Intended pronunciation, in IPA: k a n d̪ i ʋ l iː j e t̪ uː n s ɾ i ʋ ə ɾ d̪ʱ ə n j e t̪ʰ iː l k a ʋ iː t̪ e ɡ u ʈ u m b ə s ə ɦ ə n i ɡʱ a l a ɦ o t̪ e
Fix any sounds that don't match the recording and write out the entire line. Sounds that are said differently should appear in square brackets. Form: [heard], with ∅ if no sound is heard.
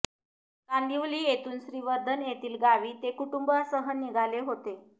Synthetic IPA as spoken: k a n d̪ i ʋ l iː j e t̪ uː n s ɾ i ʋ ə ɾ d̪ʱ ə n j e [t̪] iː l [ɡ] a ʋ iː t̪ e [k] u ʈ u m b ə s ə ɦ ə n i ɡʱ a l [e] ɦ o t̪ e